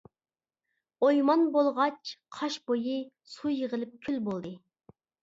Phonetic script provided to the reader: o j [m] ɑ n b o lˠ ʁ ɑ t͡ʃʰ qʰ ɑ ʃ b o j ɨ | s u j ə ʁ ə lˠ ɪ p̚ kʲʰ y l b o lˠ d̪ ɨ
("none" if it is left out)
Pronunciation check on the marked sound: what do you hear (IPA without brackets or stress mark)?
m